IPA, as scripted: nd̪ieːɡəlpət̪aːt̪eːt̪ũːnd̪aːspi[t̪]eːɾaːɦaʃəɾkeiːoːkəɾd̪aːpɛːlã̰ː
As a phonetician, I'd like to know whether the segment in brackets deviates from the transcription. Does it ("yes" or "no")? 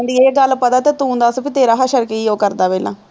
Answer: no